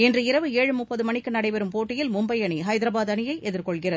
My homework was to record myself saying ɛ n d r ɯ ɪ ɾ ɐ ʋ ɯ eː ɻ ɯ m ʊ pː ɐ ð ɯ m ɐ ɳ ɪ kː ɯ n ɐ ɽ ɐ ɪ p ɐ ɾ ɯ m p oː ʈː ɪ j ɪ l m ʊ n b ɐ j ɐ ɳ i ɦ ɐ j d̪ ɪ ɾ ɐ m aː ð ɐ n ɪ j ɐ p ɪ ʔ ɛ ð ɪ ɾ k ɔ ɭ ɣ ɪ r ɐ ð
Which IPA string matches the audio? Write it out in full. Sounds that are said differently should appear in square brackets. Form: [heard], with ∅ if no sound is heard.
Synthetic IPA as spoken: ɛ n d r ɯ ɪ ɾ ɐ ʋ ɯ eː ɻ ɯ m ʊ pː ɐ ð ɯ m ɐ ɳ ɪ kː ɯ n ɐ ɽ ɐ ɪ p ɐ ɾ ɯ m p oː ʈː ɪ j ɪ l m ʊ [m] b ɐ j ɐ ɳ i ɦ ɐ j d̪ ɪ ɾ ɐ [b] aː ð ɐ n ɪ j ɐ [∅] ɪ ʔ ɛ ð ɪ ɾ k ɔ ɭ ɣ ɪ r ɐ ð